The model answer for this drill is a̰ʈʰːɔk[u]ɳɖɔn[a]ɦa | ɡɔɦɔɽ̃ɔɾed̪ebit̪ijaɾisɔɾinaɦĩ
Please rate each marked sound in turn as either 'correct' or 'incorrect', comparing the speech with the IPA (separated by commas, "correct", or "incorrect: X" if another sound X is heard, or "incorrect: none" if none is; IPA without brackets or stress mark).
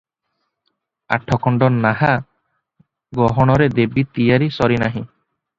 incorrect: ɔ, correct